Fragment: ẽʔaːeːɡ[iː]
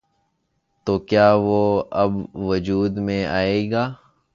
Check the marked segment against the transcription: incorrect: aː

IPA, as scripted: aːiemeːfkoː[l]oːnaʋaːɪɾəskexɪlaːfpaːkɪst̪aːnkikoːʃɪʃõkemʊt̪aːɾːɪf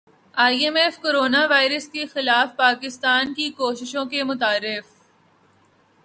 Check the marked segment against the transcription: incorrect: ɾ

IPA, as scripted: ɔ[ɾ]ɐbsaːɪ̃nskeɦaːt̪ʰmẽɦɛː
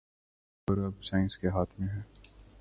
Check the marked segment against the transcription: correct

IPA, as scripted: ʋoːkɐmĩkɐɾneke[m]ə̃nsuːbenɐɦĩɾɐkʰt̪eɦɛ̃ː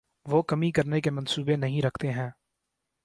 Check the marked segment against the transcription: correct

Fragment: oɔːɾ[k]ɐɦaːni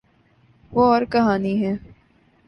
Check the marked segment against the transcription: correct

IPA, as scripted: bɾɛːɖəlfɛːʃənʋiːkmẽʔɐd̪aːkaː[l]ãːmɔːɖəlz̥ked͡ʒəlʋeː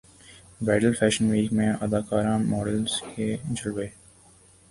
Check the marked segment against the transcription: incorrect: ɾ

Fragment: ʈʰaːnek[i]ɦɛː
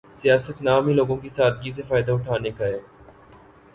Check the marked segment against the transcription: incorrect: a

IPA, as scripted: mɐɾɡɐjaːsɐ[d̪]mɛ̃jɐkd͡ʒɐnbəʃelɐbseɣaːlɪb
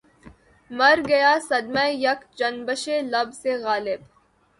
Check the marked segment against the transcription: correct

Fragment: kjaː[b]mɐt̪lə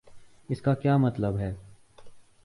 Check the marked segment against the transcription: incorrect: none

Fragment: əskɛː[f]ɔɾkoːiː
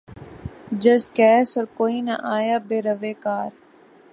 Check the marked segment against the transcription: incorrect: s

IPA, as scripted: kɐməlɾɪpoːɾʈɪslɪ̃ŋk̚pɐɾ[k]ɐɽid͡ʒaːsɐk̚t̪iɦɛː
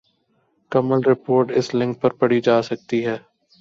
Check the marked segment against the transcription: incorrect: p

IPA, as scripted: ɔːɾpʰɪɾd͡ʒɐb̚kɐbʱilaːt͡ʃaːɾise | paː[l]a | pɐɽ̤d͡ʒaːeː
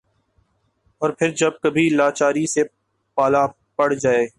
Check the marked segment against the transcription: correct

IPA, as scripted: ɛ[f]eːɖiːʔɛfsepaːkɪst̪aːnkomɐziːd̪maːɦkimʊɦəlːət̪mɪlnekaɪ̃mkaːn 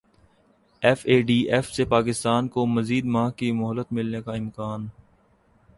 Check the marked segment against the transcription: correct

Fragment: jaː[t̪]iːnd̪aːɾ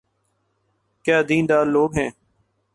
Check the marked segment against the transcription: incorrect: d̪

